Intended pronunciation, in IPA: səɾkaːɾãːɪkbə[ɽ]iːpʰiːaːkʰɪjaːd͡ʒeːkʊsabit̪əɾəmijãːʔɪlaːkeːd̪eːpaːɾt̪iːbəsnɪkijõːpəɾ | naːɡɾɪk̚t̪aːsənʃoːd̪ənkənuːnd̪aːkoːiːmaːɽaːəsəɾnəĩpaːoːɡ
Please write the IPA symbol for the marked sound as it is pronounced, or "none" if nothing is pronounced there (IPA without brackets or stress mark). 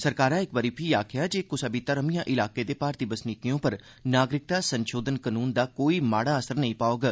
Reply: ɾ